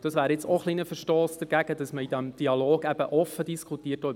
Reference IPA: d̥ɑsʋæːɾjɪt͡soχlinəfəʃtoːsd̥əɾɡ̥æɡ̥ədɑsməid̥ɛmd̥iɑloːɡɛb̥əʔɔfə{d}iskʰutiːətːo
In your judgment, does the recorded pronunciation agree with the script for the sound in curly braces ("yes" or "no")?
yes